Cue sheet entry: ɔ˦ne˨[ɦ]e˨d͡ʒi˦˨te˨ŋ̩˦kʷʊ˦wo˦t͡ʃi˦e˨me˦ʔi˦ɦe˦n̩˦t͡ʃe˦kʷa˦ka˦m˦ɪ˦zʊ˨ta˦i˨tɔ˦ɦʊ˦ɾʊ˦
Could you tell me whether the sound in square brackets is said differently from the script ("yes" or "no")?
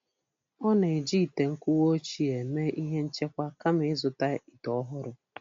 yes